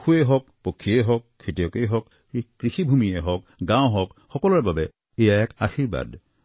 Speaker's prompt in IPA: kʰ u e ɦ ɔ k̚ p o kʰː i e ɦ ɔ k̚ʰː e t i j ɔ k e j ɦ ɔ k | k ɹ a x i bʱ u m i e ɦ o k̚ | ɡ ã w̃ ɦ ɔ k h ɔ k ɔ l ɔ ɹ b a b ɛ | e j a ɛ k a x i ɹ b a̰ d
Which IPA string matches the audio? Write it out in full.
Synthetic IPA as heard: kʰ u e ɦ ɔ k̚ p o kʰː i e ɦ ɔ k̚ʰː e t i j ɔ k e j ɦ ɔ k | k ɹ i x i bʱ u m i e ɦ ɔ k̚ | ɡ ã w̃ ɦ ɔ k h ɔ k ɔ l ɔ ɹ b a b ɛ | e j a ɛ k a x i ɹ b a̰ d